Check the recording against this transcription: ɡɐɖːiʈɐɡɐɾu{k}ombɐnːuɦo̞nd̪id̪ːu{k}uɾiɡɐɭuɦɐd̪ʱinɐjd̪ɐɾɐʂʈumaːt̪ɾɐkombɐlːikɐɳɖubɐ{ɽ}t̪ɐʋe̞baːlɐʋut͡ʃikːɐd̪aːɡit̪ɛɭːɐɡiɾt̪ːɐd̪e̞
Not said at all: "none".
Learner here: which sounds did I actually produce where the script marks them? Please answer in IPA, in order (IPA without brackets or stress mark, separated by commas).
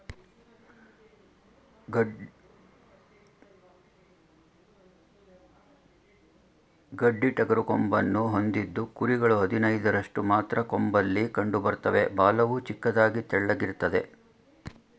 k, k, ɾ